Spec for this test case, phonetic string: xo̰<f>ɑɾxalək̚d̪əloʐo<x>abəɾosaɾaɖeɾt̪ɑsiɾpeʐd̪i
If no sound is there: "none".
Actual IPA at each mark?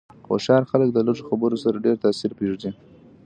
ʃ, x

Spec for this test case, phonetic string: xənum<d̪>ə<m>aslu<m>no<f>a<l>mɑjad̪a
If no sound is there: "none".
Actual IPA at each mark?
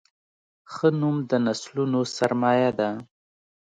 d̪, n, none, s, ɾ

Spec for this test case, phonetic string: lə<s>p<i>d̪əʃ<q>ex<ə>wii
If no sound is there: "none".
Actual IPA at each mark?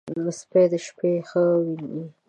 s, e, p, ə

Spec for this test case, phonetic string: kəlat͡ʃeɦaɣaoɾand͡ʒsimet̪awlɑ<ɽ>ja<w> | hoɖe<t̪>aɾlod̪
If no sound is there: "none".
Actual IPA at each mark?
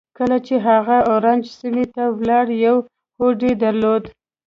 ɽ, w, d̪

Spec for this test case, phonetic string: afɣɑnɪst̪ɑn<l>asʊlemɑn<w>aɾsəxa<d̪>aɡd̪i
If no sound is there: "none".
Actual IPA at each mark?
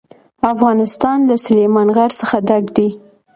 l, ɣ, d̪

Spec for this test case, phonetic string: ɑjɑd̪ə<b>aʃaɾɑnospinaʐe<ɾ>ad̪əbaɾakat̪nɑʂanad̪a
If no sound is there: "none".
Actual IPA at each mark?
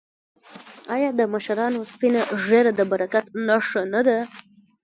m, ɾ

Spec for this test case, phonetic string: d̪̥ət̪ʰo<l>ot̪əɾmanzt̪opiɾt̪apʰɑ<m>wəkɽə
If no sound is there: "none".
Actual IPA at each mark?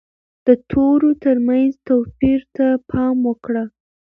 ɾ, m

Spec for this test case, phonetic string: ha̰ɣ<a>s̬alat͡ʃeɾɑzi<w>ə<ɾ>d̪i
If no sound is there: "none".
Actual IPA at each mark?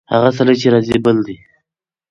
a, b, l

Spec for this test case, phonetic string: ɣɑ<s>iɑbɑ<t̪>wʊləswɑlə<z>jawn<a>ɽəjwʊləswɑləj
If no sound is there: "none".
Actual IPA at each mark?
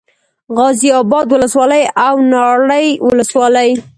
z, d̪, none, ɑ

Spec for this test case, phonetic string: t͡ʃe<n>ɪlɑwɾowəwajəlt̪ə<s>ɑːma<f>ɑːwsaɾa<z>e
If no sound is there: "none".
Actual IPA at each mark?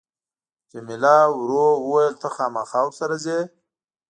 m, x, x, z

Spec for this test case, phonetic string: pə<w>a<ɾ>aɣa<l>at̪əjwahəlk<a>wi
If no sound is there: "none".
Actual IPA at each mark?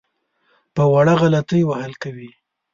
w, ɽ, l, a

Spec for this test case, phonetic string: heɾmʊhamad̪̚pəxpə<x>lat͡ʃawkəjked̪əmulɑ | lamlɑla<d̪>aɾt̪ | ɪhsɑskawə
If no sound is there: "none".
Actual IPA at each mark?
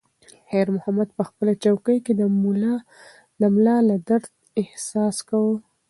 none, d̪

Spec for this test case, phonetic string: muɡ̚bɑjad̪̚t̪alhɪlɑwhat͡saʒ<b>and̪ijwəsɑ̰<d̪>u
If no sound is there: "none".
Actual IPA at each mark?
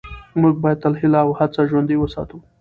w, t̪

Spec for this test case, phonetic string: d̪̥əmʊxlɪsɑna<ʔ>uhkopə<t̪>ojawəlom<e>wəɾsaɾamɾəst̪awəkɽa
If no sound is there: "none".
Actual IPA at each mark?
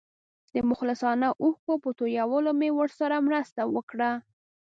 ʔ, t̪, e

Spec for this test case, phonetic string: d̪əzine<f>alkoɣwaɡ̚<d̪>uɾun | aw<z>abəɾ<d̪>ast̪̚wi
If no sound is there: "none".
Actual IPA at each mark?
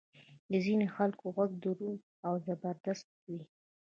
x, d̪, z, d̪

